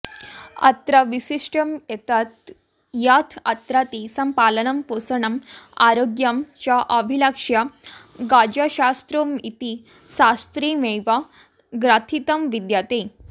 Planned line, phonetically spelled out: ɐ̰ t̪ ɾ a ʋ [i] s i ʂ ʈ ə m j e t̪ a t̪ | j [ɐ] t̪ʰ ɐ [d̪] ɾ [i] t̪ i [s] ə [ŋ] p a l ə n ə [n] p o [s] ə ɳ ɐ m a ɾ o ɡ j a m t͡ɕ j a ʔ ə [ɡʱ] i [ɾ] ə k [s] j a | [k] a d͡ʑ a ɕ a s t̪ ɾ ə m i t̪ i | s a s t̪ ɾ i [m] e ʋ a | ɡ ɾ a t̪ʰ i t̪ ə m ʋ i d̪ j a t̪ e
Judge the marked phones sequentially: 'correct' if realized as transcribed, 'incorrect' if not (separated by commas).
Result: correct, incorrect, incorrect, incorrect, correct, incorrect, incorrect, correct, incorrect, incorrect, incorrect, incorrect, correct